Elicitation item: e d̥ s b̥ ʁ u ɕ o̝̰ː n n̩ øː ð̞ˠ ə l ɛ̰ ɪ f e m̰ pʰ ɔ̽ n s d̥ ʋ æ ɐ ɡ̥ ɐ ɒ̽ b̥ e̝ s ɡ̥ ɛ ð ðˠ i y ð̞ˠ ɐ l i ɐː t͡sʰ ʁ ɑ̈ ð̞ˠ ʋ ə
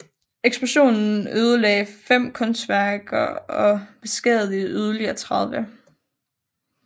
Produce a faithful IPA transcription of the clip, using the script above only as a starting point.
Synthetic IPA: e ɡ̥ s b̥ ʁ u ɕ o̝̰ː n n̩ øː ð̞ˠ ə l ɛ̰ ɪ f e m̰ kʰ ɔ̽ n s d̥ ʋ æ ɐ ɡ̥ ɐ ɒ̽ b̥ e̝ s ɡ̥ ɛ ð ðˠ i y ð̞ˠ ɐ l i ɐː t͡sʰ ʁ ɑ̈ ð̞ˠ ʋ ə